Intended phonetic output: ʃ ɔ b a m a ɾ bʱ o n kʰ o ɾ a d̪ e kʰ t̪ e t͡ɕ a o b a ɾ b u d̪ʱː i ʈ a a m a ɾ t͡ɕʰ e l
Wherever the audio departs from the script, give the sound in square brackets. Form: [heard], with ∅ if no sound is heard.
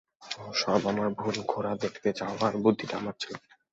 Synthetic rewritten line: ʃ ɔ b a m a ɾ bʱ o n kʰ o ɾ a d̪ e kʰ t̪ e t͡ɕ a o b a ɾ b u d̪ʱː i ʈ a a m a ɾ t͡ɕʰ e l